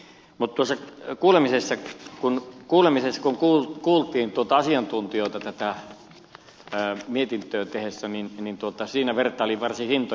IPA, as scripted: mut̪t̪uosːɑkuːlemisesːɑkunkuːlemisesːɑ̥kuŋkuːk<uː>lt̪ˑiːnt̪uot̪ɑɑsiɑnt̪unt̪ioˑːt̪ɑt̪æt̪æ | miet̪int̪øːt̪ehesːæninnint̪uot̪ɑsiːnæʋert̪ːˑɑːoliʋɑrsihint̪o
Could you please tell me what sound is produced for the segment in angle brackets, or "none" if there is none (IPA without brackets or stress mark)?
uː